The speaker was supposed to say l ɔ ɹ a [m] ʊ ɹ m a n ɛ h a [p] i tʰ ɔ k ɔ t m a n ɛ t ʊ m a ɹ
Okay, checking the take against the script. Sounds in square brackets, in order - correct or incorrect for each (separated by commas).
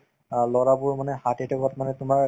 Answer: incorrect, incorrect